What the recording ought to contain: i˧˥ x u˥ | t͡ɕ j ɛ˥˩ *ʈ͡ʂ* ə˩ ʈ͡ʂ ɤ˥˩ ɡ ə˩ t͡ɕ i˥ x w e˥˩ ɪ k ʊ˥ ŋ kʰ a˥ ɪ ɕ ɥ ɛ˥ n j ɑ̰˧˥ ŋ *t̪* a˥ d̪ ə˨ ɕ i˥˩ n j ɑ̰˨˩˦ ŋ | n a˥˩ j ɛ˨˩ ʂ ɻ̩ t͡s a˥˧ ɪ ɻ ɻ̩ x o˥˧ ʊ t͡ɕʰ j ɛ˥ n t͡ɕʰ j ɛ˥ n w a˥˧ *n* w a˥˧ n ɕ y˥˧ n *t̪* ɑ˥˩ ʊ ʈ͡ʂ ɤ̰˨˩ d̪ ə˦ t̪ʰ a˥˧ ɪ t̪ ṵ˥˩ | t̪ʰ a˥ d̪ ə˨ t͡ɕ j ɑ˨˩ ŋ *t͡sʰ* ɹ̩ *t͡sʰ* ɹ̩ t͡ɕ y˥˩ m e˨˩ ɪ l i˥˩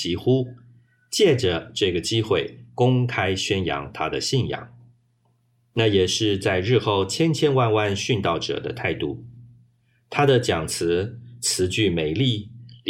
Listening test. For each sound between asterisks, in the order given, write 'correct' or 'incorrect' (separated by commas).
correct, incorrect, correct, correct, correct, correct